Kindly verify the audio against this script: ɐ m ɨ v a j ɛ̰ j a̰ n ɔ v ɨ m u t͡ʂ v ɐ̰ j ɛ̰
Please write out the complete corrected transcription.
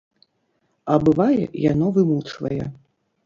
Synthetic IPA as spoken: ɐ b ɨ v a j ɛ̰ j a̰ n ɔ v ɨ m u t͡ʂ v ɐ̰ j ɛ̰